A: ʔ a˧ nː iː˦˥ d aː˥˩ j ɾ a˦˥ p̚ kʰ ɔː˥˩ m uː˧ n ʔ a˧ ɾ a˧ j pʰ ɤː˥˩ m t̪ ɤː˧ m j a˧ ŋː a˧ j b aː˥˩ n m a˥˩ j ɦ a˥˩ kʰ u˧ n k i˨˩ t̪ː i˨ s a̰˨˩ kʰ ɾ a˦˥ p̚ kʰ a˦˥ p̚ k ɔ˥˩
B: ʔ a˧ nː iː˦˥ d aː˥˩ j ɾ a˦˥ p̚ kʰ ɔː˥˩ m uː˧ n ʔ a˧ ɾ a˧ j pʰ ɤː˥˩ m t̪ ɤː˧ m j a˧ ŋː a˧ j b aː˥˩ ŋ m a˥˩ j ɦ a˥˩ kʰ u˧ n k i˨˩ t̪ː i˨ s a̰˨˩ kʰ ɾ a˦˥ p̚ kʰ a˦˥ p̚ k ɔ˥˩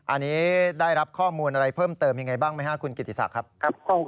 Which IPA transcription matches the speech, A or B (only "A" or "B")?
B